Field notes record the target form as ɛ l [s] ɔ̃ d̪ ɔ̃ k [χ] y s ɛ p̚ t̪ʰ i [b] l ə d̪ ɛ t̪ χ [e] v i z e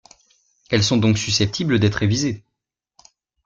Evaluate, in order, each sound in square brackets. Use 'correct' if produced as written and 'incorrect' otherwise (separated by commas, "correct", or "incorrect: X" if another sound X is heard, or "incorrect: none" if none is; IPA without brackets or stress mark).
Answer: correct, incorrect: s, correct, correct